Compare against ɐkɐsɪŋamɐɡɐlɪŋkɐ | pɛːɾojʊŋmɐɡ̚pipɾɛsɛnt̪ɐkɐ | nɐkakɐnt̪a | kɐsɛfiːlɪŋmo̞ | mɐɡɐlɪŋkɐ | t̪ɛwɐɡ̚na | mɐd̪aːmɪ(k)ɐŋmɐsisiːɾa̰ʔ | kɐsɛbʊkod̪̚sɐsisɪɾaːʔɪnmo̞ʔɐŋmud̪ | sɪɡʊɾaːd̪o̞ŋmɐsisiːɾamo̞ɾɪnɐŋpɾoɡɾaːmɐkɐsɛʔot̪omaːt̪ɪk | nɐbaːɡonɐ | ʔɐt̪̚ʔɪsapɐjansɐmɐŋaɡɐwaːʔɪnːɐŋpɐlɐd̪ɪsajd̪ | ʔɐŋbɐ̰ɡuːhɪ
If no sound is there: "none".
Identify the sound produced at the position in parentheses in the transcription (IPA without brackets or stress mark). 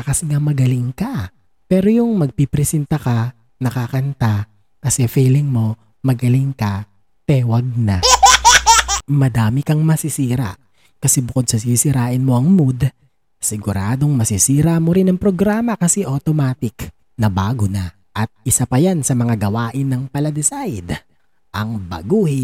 k